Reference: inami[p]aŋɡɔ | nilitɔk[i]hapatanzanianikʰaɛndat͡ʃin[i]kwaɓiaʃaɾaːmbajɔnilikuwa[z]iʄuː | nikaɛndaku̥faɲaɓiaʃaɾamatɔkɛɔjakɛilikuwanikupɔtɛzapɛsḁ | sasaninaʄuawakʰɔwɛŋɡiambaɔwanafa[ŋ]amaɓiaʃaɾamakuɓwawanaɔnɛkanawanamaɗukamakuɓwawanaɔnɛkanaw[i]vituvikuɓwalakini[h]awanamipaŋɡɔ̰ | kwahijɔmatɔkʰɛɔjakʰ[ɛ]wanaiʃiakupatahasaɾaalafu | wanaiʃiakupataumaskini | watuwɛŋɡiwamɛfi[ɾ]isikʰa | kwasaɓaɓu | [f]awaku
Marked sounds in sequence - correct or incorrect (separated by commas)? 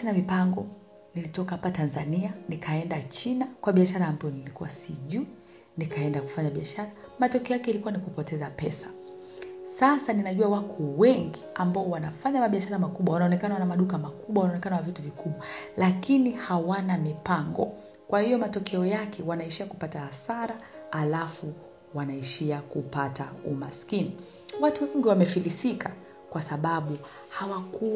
correct, incorrect, incorrect, incorrect, incorrect, incorrect, correct, correct, incorrect, incorrect